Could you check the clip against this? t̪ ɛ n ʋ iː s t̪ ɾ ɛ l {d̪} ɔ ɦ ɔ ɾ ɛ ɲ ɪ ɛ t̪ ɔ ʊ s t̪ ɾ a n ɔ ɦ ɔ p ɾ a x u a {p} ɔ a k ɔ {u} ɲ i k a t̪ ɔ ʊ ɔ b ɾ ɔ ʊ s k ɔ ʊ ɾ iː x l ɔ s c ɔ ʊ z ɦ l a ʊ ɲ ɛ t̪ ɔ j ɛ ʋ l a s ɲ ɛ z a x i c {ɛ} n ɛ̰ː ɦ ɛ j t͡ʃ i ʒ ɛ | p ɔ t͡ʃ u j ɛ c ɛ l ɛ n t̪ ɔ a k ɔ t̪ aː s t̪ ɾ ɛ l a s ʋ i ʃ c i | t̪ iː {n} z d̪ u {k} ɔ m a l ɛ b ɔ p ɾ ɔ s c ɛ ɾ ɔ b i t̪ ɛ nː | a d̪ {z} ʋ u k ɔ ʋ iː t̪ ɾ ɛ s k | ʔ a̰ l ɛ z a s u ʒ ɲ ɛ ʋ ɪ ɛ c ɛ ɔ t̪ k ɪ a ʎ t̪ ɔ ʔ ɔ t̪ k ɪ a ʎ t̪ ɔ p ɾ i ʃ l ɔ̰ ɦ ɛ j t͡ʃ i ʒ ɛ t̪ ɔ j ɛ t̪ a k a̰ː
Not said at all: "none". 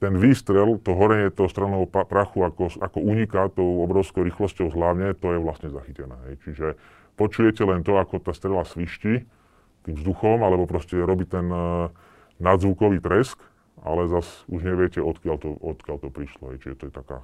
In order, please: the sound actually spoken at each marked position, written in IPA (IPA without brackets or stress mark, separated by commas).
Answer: t̪, k, u, ɛ, m, x, z